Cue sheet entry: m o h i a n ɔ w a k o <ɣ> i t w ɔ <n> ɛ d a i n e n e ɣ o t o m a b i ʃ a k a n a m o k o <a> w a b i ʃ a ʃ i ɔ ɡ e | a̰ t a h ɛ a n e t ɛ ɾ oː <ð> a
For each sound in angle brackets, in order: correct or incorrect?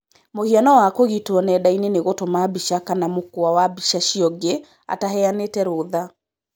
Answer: correct, correct, correct, correct

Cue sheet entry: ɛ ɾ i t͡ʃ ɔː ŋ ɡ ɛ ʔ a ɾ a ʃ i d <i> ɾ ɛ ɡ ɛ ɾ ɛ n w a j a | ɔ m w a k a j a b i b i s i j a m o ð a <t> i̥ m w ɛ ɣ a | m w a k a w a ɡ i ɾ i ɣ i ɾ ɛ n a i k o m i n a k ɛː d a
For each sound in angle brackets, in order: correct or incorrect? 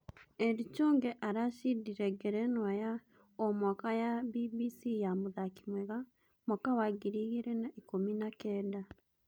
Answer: correct, incorrect: k

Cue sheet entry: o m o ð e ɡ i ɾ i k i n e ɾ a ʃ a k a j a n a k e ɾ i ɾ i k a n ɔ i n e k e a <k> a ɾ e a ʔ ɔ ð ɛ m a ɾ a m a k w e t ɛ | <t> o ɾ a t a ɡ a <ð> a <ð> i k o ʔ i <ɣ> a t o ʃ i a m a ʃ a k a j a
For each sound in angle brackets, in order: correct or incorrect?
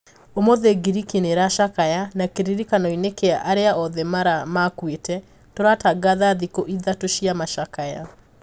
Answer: incorrect: ʔ, correct, correct, correct, incorrect: ð

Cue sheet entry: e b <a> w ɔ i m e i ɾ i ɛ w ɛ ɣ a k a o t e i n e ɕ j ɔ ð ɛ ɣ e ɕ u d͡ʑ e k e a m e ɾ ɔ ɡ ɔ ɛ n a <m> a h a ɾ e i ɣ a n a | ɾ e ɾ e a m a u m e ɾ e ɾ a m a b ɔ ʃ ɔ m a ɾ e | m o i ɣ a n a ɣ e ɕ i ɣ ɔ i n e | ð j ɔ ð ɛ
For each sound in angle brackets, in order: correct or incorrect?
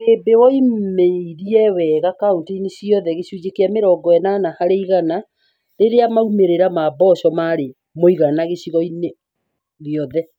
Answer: incorrect: e, incorrect: n

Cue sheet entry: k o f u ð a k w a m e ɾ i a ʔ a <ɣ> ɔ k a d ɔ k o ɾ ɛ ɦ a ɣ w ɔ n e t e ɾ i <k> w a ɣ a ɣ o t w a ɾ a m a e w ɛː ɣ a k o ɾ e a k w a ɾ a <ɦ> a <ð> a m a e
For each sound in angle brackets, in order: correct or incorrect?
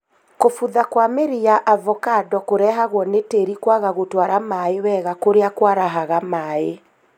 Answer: incorrect: v, correct, correct, incorrect: ɣ

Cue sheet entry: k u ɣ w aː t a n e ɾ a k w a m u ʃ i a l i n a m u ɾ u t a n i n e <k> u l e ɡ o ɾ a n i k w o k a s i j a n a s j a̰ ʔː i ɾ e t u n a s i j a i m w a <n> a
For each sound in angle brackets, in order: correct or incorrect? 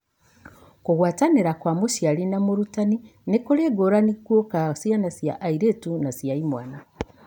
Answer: correct, correct

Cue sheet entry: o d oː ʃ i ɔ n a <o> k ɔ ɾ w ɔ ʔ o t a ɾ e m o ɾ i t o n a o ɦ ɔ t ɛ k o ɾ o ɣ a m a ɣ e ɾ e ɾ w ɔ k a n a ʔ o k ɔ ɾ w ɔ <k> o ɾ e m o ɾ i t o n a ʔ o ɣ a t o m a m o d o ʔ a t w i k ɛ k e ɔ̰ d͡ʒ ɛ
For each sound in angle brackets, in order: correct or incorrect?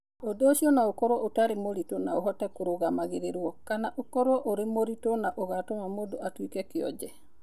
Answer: correct, incorrect: ʔ

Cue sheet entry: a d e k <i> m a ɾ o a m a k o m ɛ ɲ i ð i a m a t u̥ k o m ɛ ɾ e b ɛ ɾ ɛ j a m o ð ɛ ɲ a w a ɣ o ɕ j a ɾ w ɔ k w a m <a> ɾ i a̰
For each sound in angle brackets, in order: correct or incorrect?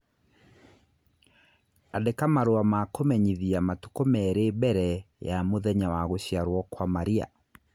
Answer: incorrect: a, correct

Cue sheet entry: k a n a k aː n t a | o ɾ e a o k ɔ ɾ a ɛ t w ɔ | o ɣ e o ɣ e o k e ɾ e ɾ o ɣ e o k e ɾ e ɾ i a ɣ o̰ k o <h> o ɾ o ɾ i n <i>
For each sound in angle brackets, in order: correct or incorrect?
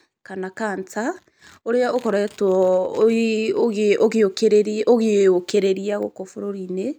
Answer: incorrect: f, incorrect: e

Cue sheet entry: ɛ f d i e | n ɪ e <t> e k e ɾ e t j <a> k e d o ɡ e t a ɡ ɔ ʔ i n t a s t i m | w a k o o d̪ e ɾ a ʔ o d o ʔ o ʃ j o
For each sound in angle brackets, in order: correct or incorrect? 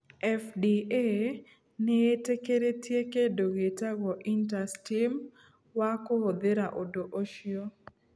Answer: correct, incorrect: e

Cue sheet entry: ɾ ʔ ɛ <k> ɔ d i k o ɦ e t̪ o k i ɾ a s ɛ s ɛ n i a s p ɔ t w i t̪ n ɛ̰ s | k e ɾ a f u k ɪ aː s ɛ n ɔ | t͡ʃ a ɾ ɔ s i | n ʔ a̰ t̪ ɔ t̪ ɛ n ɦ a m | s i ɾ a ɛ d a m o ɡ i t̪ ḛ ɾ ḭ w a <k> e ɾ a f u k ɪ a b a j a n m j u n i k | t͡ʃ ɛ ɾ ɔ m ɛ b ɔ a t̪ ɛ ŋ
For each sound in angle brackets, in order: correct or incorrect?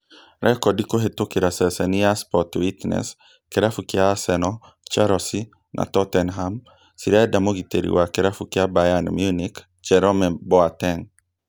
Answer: correct, correct

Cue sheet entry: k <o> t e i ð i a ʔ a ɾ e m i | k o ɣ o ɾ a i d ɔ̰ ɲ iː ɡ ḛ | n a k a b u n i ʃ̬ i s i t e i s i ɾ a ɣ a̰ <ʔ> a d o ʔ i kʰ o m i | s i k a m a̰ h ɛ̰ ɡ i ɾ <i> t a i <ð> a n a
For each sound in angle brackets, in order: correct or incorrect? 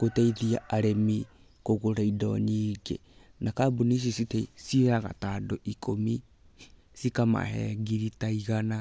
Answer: correct, incorrect: t, correct, incorrect: ɣ

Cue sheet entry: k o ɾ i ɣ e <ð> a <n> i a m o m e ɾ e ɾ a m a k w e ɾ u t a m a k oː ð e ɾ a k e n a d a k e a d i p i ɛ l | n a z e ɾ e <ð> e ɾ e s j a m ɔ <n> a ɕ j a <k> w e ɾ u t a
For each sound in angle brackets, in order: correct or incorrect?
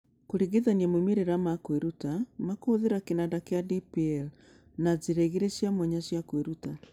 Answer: correct, correct, incorrect: ɣ, incorrect: ɲ, correct

